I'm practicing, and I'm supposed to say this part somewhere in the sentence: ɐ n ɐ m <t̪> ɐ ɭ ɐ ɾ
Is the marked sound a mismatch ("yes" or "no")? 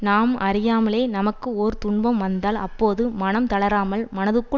no